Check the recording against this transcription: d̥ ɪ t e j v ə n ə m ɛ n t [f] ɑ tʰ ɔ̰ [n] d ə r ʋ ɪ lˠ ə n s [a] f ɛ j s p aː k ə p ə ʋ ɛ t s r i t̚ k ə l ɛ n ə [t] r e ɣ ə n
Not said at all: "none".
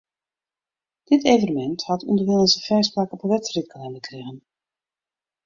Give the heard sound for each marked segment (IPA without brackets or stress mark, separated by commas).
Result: h, n, ə, k